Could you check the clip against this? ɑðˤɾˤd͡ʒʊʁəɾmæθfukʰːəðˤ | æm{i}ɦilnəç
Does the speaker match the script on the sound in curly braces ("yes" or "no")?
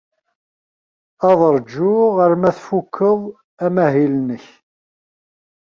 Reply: no